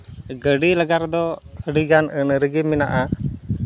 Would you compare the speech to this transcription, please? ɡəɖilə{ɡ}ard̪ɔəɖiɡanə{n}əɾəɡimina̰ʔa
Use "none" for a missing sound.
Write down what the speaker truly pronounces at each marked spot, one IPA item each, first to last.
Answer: ɡ, n

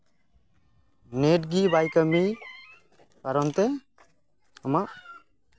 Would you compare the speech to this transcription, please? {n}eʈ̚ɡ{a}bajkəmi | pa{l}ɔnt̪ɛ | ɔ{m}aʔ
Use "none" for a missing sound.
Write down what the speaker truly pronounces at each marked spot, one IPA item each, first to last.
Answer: n, i, ɾ, m

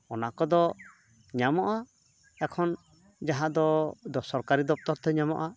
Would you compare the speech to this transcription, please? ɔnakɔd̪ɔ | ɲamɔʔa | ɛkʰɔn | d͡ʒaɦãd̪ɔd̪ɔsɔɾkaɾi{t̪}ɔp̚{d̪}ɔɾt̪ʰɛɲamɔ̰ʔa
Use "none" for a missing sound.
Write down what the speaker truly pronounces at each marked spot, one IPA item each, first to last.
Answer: d̪, t̪

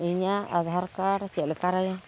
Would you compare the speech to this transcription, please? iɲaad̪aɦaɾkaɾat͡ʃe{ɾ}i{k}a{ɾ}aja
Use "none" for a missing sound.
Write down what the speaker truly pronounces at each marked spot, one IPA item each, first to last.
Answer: l, k, ɾ

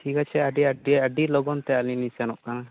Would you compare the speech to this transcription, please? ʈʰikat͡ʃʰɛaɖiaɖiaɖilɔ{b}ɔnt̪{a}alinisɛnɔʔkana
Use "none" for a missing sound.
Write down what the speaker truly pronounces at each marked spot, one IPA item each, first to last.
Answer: ɡ, ɛ

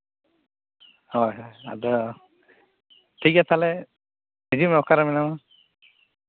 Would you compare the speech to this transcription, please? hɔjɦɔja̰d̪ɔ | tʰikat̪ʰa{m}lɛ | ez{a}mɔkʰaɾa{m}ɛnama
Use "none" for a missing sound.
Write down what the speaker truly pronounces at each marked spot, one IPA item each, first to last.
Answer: none, i, m

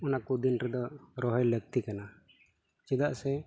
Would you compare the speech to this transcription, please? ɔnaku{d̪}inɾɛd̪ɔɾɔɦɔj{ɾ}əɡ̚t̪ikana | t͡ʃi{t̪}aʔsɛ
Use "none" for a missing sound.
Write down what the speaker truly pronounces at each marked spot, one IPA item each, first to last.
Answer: d̪, l, d̪

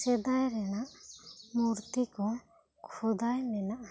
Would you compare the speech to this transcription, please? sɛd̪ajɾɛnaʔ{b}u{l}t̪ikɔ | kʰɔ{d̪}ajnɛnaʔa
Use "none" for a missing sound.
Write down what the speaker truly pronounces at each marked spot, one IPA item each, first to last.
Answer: m, ɾ, d̪

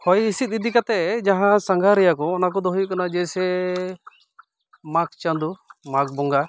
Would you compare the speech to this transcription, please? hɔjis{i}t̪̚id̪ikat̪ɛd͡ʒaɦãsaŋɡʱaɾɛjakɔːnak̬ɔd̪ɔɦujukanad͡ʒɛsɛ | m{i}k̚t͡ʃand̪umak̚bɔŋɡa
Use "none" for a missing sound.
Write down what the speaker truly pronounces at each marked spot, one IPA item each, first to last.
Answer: i, a

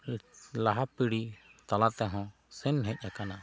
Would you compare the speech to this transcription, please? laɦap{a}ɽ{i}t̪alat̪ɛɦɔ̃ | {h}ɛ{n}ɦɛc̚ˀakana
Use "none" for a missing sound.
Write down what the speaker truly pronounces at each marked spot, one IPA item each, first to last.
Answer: i, i, s, n

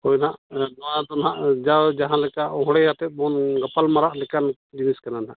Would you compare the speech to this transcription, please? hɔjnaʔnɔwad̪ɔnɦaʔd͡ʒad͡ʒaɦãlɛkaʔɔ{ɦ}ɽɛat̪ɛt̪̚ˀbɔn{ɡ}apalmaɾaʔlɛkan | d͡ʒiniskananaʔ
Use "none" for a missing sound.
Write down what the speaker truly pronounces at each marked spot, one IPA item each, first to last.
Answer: ɦ, ɡ

